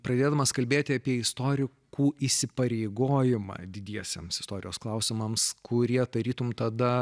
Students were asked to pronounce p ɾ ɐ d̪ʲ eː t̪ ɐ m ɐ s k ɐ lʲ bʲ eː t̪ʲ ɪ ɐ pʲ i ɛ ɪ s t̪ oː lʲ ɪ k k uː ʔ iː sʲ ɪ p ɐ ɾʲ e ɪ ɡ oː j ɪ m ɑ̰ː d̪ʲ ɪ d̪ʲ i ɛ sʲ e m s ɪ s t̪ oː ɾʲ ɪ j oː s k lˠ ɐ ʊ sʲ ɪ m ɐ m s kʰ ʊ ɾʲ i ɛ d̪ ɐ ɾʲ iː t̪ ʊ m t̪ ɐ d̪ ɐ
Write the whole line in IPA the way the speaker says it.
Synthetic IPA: p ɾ ɐ d̪ʲ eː d̪ ɐ m ɐ s k ɐ lʲ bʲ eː t̪ʲ ɪ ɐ pʲ i ɛ ɪ s t̪ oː ɾʲ ɪ k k uː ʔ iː sʲ ɪ p ɐ ɾʲ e ɪ ɡ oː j ɪ m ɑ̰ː d̪ʲ ɪ d̪ʲ i ɛ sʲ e m s ɪ s t̪ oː ɾʲ ɪ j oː s k lˠ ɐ ʊ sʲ ɪ m ɐ m s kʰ ʊ ɾʲ i ɛ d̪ ɐ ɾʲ iː t̪ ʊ m t̪ ɐ d̪ ɐ